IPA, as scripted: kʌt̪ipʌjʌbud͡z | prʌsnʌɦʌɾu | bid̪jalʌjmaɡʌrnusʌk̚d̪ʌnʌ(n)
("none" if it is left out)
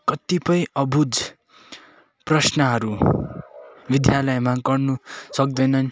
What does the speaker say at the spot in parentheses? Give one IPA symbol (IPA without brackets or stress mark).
n